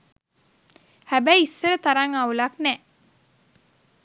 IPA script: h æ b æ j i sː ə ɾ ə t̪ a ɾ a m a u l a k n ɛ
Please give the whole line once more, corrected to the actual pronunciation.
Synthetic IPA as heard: h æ b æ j i sː ə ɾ ə t̪ a ɾ a ŋ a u l a k n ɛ